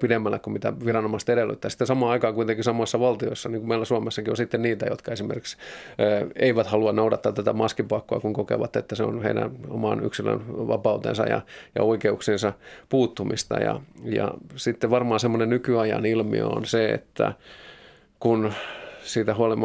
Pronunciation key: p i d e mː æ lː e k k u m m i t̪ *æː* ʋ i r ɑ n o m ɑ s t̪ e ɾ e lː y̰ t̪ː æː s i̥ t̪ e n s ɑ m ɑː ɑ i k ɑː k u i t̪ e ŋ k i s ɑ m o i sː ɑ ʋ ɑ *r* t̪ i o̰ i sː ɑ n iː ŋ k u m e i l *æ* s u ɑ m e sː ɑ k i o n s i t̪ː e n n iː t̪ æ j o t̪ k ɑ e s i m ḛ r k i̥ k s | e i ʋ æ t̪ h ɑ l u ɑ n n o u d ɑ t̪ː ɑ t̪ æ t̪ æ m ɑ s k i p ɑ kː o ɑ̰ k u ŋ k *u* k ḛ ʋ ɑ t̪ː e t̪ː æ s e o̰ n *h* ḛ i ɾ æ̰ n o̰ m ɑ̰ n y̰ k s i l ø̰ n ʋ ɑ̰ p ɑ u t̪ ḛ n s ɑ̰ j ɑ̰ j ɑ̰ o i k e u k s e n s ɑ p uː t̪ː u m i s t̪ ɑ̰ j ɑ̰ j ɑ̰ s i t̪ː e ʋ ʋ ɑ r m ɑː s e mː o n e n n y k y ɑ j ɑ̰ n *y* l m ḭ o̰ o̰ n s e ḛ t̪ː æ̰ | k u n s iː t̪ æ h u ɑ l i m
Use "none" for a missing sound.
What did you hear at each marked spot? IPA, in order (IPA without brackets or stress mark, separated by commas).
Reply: æ, l, æ, o, h, i